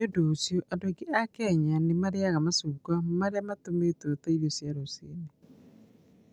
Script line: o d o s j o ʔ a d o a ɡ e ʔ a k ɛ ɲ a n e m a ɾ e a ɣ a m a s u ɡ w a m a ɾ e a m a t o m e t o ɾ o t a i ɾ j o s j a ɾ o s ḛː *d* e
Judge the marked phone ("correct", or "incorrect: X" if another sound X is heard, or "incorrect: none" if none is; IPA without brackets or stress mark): incorrect: n